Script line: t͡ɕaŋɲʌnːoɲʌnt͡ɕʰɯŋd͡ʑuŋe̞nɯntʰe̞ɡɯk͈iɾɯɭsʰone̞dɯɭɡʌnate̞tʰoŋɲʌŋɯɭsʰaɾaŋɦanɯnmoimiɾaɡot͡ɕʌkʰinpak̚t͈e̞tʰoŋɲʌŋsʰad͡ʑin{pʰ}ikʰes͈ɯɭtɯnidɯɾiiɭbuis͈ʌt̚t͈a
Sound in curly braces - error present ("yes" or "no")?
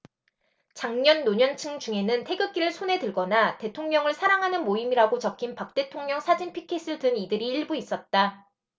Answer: no